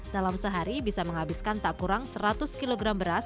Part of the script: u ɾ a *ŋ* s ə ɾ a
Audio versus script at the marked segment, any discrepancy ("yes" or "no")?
no